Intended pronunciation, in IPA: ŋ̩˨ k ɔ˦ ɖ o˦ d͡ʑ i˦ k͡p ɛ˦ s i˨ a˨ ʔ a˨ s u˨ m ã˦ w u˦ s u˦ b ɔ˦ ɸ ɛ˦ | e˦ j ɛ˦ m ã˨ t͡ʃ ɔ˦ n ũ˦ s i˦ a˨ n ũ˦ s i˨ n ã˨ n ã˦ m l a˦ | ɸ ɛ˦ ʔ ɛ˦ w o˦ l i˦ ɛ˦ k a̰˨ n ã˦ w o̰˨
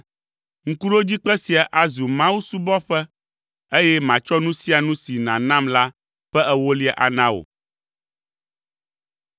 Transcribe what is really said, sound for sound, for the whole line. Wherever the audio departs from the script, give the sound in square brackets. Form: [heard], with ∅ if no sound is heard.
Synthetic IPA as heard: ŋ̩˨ k [u˦] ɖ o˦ d͡ʑ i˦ k͡p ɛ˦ s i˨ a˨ ʔ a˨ [z] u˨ m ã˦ w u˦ s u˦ b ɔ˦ ɸ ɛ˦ | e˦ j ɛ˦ m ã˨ t͡ʃ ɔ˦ n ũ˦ s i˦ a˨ n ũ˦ s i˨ n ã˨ n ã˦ m l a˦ | ɸ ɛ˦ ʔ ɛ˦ w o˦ l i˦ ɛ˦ [ʔ] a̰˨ n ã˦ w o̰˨